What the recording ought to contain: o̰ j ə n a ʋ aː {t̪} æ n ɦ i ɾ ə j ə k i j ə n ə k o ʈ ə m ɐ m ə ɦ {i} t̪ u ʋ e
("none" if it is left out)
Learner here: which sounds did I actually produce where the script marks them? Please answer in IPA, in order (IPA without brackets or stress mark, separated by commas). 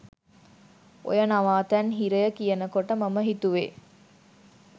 t̪, i